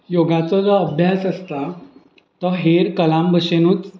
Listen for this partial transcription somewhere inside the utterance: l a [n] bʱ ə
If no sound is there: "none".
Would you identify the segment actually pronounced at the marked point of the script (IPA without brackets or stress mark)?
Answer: m